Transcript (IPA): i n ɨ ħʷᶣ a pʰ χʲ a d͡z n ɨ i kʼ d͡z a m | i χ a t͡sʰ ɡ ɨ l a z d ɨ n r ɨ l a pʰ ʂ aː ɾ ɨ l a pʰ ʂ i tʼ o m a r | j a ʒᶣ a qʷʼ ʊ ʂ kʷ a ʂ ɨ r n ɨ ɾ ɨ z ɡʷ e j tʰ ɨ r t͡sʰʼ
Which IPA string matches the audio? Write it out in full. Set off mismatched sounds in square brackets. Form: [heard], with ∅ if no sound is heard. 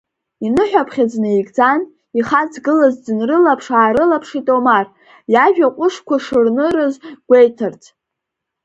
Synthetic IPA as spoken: i n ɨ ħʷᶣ a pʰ χʲ a d͡z n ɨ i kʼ d͡z a [n] | i χ a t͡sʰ ɡ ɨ l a z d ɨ n r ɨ l a pʰ ʂ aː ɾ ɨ l a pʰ ʂ i tʼ o m a r | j a ʒᶣ a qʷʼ ʊ ʂ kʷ a ʂ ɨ r n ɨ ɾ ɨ z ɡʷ e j tʰ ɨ r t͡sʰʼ